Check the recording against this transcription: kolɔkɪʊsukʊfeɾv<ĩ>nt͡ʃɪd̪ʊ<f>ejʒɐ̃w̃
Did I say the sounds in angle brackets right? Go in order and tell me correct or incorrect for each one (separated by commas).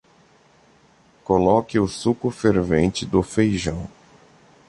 incorrect, correct